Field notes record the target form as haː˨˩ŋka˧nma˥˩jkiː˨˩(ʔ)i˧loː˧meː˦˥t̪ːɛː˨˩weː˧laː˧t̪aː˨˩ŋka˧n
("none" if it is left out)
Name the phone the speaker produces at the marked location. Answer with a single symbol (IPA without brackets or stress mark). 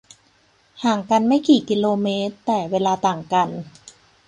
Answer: k